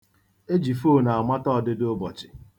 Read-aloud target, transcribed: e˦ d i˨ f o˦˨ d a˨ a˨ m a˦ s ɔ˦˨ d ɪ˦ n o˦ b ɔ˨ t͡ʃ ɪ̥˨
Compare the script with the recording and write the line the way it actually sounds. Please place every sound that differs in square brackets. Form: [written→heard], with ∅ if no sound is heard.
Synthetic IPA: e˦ [d→d͡ʒ] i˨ f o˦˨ [d→n] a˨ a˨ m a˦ [s→t] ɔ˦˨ d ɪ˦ [n→d] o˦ b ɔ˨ t͡ʃ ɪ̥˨